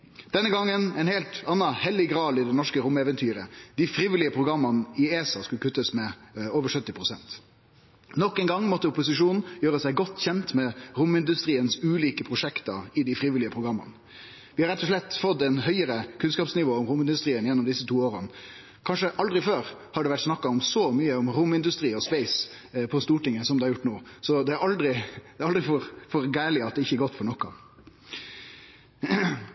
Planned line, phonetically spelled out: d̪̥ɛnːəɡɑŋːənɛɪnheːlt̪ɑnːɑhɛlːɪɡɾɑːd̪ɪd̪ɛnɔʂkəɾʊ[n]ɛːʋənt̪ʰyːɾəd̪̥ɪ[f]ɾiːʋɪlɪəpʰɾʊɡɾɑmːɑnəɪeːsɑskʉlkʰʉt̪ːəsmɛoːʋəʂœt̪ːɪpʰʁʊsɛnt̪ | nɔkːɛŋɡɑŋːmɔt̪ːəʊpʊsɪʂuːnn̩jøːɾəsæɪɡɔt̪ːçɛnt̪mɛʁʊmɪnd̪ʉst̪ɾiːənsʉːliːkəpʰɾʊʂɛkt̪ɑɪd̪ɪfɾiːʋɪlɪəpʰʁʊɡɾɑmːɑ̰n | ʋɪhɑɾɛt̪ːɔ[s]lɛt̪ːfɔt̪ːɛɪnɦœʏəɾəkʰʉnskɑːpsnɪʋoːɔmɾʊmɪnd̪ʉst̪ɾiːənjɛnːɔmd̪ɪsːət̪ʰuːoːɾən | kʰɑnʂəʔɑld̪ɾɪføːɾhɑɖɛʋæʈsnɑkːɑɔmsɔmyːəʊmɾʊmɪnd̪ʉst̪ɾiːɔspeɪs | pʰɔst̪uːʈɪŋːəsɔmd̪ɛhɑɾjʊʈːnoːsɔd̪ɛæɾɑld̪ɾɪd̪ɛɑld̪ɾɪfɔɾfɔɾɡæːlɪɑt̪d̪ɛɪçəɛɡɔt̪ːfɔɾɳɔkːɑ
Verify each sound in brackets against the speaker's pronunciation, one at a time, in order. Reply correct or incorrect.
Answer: incorrect: m, correct, incorrect: ʂ

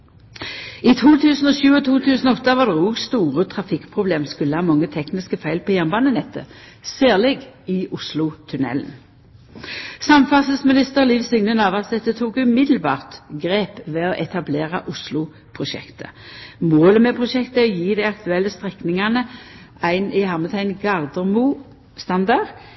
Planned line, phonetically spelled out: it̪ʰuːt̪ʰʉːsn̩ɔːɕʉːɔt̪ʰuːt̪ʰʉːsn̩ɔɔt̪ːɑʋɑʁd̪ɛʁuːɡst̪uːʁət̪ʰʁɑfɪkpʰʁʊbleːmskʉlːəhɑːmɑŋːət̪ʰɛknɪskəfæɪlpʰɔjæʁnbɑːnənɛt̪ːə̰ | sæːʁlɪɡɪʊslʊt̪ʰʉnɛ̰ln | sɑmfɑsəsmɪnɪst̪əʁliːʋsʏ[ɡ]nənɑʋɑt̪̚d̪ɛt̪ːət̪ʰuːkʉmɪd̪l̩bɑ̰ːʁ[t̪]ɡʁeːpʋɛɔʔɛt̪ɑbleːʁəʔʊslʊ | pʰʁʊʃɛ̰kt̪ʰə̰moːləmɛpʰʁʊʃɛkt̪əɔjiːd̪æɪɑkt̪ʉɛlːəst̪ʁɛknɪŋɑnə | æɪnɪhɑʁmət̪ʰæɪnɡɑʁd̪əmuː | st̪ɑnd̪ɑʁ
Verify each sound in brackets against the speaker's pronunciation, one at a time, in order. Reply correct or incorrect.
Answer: incorrect: ŋ, correct

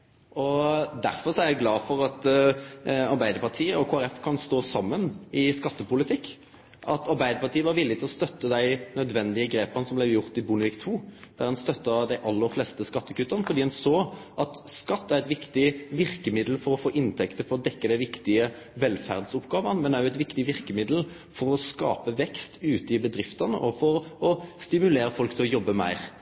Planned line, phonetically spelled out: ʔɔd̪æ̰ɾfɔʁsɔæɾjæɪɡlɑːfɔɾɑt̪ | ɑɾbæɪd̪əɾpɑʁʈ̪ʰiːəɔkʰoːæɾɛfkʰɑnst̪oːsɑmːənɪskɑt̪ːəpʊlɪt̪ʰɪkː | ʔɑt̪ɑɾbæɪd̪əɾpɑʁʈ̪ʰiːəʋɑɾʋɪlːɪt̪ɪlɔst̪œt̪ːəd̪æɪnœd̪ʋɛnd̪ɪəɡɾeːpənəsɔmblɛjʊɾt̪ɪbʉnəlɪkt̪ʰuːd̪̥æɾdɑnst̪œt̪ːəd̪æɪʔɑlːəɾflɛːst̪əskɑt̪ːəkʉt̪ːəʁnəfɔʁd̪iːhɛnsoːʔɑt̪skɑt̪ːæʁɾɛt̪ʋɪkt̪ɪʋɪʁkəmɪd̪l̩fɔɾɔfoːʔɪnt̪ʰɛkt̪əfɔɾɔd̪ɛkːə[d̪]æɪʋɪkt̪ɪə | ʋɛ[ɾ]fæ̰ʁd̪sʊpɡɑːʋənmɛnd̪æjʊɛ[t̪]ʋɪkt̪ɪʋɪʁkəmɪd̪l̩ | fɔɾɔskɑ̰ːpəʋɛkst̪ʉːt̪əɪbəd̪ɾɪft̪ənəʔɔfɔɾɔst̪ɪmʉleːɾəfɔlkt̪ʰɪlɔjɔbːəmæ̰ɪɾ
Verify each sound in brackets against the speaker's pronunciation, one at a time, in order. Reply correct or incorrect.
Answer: correct, incorrect: l, correct

